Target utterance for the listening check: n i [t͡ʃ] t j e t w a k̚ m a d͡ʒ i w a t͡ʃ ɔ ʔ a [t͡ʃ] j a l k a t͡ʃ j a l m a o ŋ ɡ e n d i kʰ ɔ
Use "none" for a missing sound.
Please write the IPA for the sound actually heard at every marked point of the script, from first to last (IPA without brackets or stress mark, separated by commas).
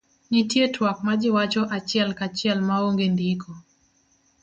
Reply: none, t͡ʃ